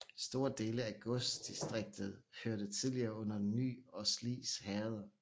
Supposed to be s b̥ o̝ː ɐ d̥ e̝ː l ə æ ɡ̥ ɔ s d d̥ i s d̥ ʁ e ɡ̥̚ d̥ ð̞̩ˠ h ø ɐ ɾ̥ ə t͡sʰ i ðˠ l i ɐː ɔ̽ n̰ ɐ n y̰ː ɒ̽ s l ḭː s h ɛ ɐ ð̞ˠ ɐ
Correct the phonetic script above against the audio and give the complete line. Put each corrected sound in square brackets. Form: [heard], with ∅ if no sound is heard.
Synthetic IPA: s [d̥] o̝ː ɐ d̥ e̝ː l ə æ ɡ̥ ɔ s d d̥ i s d̥ ʁ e ɡ̥̚ d̥ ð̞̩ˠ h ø ɐ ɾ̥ ə t͡sʰ i ðˠ l i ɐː ɔ̽ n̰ ɐ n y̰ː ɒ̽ s l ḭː s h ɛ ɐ ð̞ˠ ɐ